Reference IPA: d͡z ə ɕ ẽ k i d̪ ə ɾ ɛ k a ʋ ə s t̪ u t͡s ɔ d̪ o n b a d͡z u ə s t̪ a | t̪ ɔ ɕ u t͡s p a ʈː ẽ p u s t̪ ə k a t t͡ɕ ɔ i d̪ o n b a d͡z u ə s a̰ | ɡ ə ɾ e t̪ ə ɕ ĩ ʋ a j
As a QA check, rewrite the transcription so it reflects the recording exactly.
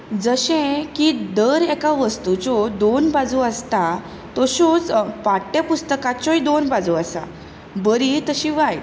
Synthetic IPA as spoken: d͡z ə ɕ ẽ k i d̪ ə ɾ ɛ k a ʋ ə s t̪ u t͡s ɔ d̪ o n b a d͡z u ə s t̪ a | t̪ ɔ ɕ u t͡s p a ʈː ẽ p u s t̪ ə k a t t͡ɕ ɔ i d̪ o n b a d͡z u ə s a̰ | b ə ɾ i t̪ ə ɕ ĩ ʋ a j